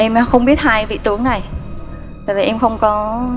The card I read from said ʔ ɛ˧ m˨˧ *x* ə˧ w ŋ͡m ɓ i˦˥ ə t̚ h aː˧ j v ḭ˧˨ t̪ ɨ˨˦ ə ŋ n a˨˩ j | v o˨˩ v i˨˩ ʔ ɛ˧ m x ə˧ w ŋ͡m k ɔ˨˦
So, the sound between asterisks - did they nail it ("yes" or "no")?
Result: yes